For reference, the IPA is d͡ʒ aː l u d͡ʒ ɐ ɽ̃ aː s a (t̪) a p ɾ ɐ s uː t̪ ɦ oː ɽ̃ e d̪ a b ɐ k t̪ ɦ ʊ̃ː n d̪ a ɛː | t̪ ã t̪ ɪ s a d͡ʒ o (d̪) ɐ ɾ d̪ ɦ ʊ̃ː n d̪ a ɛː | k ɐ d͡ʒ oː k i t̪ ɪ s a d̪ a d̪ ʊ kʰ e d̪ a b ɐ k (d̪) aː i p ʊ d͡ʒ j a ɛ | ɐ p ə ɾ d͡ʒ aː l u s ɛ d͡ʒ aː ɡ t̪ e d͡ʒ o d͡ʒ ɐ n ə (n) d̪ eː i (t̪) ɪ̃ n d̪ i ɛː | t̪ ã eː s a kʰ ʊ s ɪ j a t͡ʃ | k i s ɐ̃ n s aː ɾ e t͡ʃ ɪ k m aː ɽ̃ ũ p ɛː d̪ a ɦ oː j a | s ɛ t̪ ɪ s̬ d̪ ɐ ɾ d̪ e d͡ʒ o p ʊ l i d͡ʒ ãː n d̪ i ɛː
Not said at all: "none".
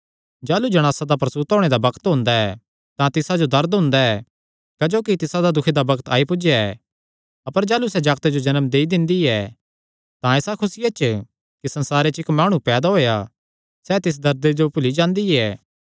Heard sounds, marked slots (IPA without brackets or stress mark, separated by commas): d̪, d̪, t̪, m, d̪